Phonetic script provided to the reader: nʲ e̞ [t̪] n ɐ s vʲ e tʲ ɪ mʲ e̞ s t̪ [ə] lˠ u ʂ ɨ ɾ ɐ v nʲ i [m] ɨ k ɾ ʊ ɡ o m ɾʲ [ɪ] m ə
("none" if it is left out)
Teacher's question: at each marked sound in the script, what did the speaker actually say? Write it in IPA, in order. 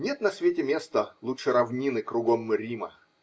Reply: t̪, ə, n, i

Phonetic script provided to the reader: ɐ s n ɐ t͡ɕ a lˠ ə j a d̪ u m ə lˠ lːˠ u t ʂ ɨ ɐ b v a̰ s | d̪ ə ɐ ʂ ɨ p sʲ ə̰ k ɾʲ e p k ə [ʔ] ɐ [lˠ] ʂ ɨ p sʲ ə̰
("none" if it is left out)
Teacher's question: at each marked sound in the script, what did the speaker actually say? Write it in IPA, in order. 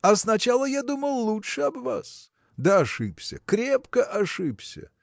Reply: ʔ, none

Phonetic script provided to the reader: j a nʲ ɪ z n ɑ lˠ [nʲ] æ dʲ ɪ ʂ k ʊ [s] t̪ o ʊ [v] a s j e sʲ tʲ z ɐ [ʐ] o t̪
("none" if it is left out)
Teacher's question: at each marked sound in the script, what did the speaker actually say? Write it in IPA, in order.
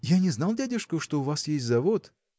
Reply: dʲ, ʂ, v, v

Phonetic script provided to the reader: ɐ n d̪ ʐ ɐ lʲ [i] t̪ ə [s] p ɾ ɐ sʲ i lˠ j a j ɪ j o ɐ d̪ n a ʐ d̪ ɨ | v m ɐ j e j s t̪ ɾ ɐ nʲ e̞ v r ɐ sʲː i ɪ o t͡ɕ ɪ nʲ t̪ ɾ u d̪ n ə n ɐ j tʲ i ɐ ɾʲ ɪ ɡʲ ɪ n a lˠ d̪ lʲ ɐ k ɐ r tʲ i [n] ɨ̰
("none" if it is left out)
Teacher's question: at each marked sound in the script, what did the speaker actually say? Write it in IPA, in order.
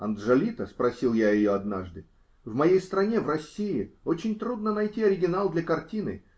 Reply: i, s, n

